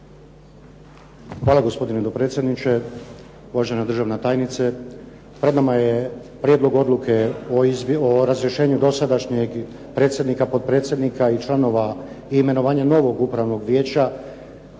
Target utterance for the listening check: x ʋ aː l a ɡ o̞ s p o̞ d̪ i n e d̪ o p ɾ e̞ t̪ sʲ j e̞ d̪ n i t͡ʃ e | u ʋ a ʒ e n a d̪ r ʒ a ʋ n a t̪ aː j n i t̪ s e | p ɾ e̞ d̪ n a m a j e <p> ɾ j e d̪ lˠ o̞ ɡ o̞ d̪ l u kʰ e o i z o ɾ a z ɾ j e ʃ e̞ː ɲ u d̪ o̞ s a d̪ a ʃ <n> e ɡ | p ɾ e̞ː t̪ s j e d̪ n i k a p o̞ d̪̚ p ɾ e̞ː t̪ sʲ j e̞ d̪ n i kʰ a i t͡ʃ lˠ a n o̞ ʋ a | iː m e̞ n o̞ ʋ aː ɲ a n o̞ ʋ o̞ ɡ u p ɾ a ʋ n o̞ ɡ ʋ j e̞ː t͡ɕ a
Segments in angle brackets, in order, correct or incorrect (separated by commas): correct, incorrect